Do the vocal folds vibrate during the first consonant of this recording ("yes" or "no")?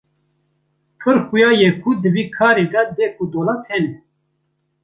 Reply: no